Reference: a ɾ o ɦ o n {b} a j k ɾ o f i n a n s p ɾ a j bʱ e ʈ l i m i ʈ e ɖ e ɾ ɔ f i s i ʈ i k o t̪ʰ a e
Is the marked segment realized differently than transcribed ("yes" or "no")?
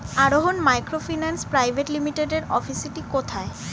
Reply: yes